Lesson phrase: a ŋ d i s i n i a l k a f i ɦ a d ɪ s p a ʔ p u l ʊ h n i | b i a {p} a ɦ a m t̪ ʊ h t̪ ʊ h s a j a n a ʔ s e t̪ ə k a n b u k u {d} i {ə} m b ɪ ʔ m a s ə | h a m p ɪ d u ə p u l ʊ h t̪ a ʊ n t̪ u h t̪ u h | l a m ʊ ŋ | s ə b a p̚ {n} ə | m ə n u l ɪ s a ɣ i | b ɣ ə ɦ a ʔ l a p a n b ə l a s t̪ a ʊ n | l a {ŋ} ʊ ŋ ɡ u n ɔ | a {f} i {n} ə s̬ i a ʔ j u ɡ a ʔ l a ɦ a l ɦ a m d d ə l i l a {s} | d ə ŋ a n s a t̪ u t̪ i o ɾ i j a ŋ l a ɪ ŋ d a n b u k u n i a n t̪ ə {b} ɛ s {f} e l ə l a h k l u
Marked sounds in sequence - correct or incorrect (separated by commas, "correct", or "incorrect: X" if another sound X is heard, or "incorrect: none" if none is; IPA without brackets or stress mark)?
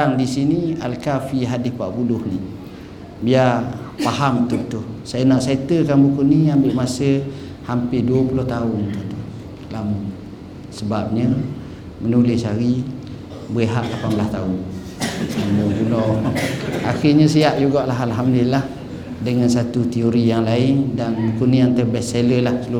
correct, incorrect: n, incorrect: a, incorrect: ɲ, incorrect: m, incorrect: x, incorrect: ɲ, incorrect: h, correct, incorrect: s